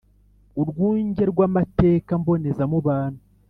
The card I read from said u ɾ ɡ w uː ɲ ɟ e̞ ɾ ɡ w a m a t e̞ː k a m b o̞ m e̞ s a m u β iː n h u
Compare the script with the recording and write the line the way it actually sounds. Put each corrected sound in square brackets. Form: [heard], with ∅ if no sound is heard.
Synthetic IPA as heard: u ɾ ɡ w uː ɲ ɟ e̞ ɾ ɡ w a m a t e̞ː k a m b o̞ [n] e̞ [z] a m u β [aː] n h u